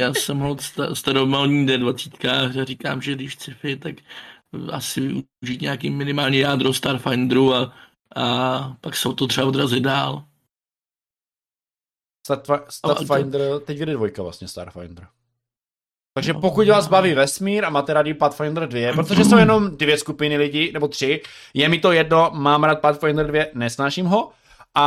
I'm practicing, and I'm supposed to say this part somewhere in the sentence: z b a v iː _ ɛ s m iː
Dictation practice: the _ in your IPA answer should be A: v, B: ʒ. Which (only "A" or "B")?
A